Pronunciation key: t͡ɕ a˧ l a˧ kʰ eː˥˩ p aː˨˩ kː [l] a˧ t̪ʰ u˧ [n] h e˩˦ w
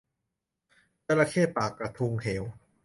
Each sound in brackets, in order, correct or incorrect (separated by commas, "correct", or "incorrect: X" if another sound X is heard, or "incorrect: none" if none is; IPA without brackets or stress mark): incorrect: ɾ, incorrect: ŋ